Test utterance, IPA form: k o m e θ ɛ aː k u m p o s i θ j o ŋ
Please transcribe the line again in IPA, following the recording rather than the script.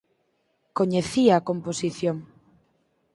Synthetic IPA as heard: k o ɲ e θ i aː k o m p o s i θ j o ŋ

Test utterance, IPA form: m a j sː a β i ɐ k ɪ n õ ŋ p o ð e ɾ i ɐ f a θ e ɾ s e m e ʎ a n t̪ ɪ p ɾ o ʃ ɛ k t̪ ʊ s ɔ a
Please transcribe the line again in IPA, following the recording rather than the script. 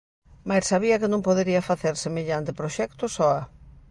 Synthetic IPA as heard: m a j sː a β i ɐ k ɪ n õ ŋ p o ð e ɾ i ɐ f a θ e ɾ s e m e ʎ a n t̪ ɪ p ɾ o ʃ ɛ k t̪ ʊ s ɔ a

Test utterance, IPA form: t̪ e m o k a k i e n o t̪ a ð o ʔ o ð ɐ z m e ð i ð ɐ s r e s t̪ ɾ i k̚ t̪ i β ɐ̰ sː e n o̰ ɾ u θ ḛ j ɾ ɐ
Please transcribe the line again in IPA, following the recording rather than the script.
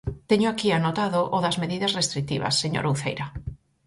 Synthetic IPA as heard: t̪ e ɲ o a k i a n o t̪ a ð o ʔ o ð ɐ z m e ð i ð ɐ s r e s t̪ ɾ i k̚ t̪ i β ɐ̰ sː e ɲ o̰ ɾ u θ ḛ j ɾ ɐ

